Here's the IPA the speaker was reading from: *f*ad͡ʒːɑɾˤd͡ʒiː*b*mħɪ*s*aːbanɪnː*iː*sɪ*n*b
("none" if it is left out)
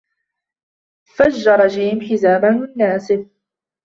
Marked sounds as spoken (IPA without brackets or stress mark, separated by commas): f, none, z, aː, none